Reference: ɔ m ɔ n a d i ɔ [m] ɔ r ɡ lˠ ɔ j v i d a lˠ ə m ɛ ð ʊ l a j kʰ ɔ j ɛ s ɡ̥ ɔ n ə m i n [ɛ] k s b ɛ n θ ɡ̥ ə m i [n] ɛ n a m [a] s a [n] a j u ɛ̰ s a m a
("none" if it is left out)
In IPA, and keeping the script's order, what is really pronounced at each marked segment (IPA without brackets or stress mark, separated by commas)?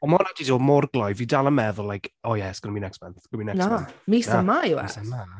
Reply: m, ɛ, n, i, m